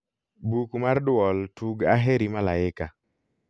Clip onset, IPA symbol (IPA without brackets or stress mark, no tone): b